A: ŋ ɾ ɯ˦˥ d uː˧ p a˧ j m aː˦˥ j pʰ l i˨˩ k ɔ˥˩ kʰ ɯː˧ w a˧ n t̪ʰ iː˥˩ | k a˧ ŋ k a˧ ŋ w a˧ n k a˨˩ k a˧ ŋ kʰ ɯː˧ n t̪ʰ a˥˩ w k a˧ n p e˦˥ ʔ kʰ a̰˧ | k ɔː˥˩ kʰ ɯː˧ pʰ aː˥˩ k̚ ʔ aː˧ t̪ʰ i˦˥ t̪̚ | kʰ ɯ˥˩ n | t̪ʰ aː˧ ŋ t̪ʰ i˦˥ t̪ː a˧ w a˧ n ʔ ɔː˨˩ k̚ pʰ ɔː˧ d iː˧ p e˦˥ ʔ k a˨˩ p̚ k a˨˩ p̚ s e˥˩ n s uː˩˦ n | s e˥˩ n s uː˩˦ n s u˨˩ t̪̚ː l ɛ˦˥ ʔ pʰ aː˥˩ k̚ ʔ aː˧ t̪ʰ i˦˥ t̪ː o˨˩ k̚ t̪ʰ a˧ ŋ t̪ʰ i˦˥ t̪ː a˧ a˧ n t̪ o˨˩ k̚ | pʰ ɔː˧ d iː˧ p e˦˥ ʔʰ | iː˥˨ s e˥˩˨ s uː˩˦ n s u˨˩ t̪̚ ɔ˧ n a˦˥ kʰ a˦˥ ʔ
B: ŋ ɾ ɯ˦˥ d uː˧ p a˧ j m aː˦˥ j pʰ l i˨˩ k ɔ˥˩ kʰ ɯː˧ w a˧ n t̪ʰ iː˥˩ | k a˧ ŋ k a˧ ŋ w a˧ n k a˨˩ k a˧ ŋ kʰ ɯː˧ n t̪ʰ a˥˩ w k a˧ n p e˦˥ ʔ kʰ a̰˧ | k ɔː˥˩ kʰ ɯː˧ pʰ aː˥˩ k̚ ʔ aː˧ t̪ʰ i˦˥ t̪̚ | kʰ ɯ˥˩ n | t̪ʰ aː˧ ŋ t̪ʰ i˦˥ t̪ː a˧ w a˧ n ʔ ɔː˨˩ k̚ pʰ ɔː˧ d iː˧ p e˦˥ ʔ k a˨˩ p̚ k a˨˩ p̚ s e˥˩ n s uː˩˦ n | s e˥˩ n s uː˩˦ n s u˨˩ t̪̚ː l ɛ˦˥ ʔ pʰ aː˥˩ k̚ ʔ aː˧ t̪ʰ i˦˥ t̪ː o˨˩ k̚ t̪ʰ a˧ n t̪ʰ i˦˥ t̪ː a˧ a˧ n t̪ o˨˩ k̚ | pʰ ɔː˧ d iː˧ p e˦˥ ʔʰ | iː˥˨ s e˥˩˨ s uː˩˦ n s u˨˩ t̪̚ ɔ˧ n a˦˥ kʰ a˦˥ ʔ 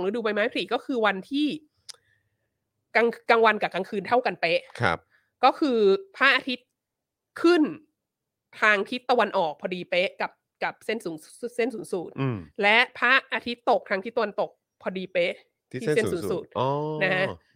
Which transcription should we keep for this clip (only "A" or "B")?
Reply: A